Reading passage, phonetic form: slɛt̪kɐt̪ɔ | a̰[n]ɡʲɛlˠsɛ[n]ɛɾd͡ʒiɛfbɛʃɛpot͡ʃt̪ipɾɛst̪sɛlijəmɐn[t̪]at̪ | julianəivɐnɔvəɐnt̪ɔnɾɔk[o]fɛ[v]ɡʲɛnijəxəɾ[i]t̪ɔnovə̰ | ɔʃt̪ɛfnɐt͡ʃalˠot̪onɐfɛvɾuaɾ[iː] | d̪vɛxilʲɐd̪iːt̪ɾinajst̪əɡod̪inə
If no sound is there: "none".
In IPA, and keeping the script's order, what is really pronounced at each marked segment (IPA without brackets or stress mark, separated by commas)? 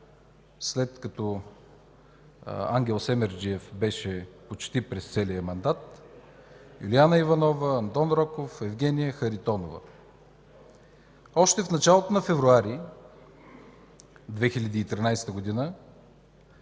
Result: ŋ, m, d̪, o, v, i, i